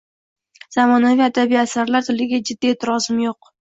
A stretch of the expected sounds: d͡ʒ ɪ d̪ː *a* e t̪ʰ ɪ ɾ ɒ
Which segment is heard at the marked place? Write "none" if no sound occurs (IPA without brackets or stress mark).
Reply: i